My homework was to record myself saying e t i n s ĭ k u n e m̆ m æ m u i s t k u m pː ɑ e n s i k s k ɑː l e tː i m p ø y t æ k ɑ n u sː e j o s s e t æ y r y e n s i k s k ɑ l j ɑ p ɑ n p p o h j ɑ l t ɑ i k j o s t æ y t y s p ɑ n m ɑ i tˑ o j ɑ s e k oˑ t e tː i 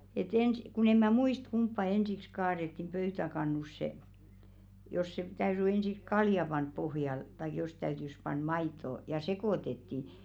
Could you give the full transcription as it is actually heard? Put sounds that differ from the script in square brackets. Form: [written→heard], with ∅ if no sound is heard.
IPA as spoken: e t [i→e] n s ĭ k u n e m̆ m æ m u i s t k u m pː ɑ e n s i k s k ɑː [l→r] e tː i m p ø y t æ k ɑ [n→nː] u sː e j o s s e t æ y r y e n s i k s k ɑ l j ɑ p ɑ n p p o h j ɑ l t ɑ i k j o s t æ y t y s p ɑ n m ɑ i tˑ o j ɑ s e k oˑ t e tː i